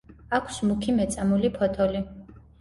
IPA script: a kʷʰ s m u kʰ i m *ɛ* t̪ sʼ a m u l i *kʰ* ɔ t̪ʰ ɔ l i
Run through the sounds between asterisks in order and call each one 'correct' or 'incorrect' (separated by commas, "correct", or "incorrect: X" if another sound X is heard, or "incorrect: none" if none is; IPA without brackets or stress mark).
correct, incorrect: pʰ